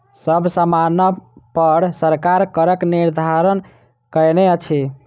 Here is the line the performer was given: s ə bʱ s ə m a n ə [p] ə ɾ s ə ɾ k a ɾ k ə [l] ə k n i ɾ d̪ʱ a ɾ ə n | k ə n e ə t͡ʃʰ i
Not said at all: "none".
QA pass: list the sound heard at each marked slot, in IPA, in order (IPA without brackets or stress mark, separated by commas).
p, ɾ